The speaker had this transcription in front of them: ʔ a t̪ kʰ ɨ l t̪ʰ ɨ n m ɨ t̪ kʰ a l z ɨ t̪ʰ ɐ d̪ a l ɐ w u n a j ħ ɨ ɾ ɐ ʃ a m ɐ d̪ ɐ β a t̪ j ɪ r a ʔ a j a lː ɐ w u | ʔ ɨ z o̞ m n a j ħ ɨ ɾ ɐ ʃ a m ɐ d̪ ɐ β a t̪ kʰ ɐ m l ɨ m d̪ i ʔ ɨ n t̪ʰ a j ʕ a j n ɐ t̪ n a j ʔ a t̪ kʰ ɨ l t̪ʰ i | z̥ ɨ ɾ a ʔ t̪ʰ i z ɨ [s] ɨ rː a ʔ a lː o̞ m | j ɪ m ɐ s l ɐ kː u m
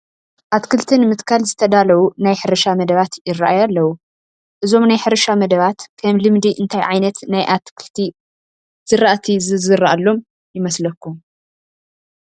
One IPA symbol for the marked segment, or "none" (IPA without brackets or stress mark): z